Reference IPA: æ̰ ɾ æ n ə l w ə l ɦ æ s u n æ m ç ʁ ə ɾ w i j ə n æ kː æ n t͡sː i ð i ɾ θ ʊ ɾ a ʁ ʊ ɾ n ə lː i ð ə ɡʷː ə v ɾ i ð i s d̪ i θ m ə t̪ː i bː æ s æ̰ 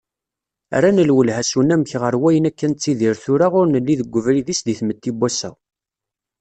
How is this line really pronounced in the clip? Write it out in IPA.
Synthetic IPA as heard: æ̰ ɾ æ n ə l w ə l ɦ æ s u n æ m ç ʁ ə ɾ w æ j ə n æ kː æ n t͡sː i ð i ɾ θ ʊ ɾ a ʁ ʊ ɾ n ə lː i ð ə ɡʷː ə v ɾ i ð i s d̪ i θ m ə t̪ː i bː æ s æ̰